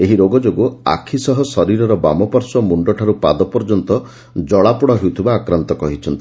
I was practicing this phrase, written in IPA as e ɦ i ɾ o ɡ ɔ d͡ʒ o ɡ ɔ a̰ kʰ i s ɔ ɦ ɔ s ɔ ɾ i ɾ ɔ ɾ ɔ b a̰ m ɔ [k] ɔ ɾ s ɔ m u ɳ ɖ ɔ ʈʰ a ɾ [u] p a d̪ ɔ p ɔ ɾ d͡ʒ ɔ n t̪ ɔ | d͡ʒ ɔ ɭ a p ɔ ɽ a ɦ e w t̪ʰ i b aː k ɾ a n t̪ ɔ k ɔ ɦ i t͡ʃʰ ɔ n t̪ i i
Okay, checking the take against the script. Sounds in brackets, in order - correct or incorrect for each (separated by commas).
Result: incorrect, correct